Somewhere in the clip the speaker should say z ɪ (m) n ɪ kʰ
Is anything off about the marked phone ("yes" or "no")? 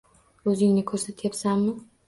yes